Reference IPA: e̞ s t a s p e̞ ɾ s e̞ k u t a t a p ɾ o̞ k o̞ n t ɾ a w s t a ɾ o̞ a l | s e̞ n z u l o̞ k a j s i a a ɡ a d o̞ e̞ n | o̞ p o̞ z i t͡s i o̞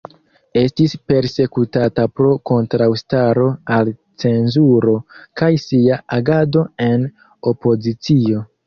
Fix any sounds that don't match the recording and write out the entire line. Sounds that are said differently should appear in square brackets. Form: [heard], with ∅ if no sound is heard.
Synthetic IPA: e̞ s t [i] s p e̞ ɾ s e̞ k u t a t a p ɾ o̞ k o̞ n t ɾ a w s t a ɾ o̞ a l | [t͡s] e̞ n z u [ɾ] o̞ k a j s i a a ɡ a d o̞ e̞ n | o̞ p o̞ z i t͡s i o̞